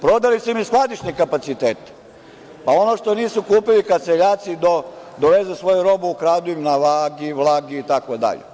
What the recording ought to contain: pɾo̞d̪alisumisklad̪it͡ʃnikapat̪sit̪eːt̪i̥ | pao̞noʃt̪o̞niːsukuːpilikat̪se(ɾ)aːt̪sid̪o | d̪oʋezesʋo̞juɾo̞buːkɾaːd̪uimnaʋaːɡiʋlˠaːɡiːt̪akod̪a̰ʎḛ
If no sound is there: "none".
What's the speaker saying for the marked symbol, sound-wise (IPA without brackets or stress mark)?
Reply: ʎ